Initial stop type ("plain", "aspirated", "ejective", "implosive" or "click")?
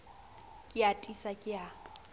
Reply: ejective